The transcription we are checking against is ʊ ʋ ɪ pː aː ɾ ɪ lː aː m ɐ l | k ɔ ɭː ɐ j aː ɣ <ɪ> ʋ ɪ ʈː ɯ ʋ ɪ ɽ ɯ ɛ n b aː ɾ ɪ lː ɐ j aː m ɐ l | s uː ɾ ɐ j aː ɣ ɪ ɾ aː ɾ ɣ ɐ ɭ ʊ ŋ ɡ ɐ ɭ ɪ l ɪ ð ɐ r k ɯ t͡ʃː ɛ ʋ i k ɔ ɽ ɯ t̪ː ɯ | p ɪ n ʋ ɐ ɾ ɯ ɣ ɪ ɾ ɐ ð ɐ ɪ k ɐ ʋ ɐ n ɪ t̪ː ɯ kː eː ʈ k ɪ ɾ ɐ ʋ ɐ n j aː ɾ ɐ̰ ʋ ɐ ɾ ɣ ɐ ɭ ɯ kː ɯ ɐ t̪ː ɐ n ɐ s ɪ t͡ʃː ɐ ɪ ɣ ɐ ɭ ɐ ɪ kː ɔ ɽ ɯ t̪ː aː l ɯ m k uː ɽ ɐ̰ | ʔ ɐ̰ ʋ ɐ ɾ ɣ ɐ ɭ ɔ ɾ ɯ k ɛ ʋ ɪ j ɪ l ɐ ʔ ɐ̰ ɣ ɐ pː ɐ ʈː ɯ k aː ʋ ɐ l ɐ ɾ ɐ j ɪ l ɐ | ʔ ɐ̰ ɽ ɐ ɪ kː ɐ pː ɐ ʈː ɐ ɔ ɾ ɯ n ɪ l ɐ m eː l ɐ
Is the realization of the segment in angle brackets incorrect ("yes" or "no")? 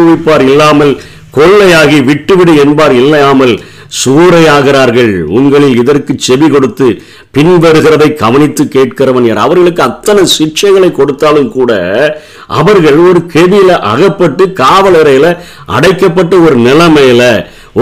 yes